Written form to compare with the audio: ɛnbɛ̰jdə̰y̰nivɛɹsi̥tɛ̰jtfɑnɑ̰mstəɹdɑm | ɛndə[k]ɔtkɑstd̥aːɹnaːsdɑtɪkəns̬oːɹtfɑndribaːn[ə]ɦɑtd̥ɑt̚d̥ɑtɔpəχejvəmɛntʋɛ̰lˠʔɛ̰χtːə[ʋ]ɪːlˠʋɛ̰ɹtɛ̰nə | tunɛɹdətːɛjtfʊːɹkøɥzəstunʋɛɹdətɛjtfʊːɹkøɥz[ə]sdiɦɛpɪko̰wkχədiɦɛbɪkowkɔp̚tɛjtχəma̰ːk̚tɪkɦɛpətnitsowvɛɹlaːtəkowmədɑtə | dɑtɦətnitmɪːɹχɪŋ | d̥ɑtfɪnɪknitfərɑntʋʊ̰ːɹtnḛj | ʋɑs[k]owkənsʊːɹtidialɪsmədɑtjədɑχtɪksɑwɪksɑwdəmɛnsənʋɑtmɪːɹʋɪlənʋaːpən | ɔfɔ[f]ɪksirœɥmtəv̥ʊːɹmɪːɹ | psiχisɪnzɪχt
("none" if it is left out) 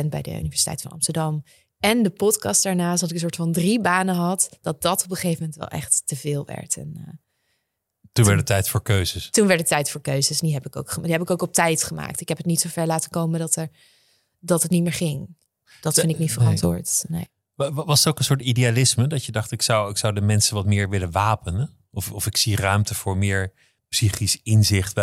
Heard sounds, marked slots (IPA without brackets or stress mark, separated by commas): p, ə, v, ə, t, f